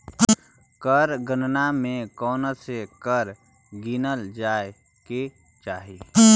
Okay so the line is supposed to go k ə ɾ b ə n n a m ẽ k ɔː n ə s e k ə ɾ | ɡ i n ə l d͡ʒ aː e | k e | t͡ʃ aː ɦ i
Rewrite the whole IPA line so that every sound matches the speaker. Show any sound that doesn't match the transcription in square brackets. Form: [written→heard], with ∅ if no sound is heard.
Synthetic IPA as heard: k ə ɾ [b→ɡ] ə n n a m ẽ k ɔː n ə s e k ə ɾ | ɡ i n ə l d͡ʒ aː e | k e | t͡ʃ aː ɦ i